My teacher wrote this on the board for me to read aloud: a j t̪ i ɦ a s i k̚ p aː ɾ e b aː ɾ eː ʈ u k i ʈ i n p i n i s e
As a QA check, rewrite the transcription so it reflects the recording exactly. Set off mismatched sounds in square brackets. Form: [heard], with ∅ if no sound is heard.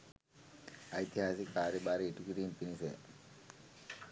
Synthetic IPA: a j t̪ i ɦ a s i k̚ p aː ɾ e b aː ɾ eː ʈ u k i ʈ i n p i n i s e